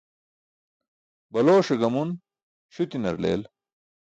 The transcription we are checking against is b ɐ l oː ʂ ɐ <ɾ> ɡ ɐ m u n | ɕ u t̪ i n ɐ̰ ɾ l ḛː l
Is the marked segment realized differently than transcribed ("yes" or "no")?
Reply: yes